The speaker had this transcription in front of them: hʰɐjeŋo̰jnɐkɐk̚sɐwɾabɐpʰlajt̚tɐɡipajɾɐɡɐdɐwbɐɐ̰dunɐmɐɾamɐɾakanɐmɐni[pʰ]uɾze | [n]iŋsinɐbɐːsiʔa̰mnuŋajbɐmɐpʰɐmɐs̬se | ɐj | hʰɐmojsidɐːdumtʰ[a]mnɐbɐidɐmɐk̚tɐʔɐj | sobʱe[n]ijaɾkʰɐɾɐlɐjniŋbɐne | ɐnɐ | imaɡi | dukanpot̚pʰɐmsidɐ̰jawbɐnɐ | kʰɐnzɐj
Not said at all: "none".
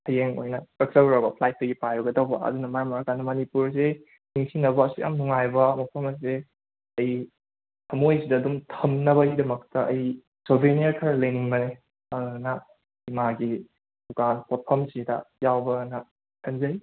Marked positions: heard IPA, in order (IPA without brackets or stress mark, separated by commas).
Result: p, n, ɐ, n